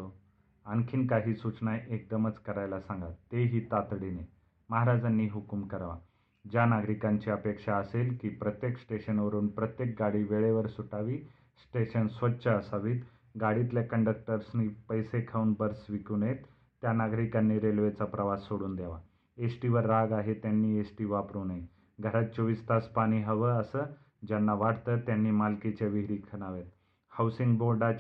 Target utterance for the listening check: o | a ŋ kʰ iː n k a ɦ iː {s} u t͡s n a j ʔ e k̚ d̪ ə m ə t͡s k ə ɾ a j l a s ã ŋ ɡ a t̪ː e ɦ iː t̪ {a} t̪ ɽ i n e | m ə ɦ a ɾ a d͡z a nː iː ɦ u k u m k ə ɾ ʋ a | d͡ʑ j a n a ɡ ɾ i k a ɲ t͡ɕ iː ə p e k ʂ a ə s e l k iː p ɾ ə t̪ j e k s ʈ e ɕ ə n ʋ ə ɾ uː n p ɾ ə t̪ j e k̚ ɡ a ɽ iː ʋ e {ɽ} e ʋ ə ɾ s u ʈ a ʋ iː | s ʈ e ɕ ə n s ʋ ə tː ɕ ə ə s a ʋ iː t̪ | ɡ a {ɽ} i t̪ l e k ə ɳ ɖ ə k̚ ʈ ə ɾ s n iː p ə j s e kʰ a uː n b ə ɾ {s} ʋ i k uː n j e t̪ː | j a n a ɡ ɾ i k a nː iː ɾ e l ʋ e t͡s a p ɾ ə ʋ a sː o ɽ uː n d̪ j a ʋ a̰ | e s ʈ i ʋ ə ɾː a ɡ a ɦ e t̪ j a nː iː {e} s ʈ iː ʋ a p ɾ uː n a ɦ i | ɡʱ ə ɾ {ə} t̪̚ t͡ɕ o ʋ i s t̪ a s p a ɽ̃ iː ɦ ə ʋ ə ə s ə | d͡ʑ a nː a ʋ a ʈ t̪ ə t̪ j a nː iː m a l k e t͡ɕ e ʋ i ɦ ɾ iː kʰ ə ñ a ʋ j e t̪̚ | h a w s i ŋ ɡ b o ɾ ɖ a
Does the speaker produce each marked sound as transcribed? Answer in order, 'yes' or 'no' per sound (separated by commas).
yes, yes, no, yes, yes, yes, no